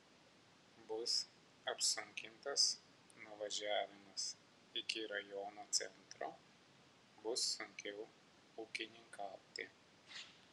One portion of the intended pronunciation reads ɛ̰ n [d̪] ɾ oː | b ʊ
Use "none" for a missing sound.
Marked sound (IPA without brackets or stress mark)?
t̪